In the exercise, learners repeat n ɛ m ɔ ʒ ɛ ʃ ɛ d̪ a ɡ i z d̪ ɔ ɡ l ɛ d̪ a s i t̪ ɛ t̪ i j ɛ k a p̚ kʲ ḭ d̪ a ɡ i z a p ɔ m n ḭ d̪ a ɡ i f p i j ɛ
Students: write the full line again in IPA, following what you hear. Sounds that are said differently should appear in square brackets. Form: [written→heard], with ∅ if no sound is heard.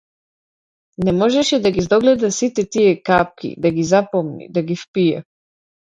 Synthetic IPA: n ɛ m ɔ ʒ ɛ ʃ ɛ d̪ a ɡ i z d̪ ɔ ɡ l ɛ d̪ a s i t̪ ɛ t̪ i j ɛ k a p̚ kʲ ḭ d̪ a ɡ i z a p ɔ m n ḭ d̪ a ɡ i f p i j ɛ